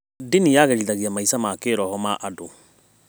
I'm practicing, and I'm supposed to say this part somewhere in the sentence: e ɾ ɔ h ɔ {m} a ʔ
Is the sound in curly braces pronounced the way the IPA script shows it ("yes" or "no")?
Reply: yes